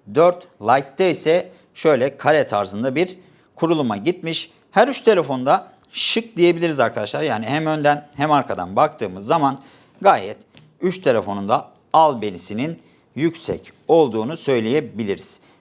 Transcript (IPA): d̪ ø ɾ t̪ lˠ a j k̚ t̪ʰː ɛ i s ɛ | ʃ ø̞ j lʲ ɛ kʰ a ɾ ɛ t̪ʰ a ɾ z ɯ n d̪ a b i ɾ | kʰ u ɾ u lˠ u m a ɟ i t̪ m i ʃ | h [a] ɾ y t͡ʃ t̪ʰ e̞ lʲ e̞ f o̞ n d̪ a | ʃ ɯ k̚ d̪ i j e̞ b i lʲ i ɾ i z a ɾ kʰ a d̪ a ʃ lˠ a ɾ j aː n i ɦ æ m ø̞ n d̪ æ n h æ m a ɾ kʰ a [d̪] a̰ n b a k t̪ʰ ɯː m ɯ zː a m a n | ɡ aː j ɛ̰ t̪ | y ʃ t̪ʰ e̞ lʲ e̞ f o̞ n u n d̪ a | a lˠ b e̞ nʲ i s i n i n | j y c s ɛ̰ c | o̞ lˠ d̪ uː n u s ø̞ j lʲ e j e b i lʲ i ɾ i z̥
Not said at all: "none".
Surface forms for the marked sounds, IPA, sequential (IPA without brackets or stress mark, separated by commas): æ, d̪